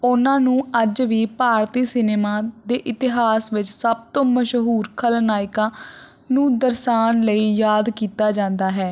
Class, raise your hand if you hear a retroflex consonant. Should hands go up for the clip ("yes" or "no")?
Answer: no